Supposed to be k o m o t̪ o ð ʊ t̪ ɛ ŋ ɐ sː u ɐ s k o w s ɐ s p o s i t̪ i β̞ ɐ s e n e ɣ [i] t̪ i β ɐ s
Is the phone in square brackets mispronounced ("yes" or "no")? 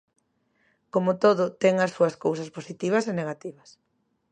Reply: yes